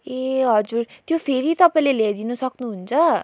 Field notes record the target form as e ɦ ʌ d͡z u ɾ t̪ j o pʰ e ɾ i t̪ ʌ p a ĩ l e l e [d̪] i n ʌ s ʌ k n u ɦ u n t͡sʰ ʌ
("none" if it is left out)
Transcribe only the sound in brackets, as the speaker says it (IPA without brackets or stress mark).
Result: d̪